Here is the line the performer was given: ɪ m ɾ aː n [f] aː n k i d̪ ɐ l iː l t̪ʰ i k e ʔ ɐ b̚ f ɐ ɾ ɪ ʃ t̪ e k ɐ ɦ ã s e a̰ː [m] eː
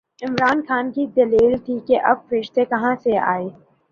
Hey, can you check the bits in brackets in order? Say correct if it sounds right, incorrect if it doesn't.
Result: incorrect: x, incorrect: none

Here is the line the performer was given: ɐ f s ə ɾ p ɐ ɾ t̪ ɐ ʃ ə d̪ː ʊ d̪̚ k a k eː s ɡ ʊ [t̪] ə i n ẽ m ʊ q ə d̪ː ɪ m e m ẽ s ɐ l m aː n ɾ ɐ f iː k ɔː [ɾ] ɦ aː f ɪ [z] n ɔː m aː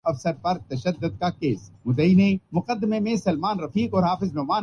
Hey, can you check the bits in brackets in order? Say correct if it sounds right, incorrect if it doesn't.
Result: incorrect: d̪, correct, correct

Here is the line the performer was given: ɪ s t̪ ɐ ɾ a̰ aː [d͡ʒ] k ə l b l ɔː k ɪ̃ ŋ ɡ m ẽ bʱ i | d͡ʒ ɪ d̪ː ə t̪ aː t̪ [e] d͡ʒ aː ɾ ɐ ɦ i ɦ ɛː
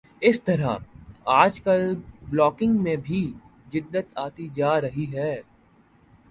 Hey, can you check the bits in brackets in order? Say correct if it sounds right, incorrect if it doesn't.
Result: correct, incorrect: i

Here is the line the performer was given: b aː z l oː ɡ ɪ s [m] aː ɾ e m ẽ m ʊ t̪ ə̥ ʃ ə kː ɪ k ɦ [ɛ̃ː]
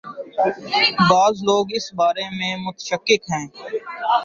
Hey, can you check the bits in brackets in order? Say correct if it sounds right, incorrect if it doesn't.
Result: incorrect: b, correct

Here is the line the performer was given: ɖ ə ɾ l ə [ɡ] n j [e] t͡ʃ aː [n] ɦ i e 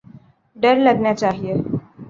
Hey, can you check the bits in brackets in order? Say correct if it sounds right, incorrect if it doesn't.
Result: correct, incorrect: a, incorrect: none

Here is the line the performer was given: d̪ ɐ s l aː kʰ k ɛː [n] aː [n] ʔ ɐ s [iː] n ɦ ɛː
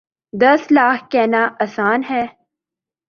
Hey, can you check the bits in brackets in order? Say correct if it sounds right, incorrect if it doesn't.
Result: correct, incorrect: none, incorrect: aː

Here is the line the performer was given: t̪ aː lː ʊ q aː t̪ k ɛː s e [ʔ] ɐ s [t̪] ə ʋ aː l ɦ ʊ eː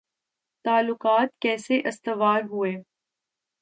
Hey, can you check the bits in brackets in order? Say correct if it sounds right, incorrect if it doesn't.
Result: correct, correct

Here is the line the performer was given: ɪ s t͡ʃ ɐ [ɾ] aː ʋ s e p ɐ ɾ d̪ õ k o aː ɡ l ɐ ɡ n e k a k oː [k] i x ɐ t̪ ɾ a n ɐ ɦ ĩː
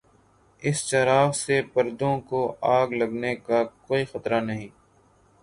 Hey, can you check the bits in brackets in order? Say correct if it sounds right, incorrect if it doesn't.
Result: correct, incorrect: none

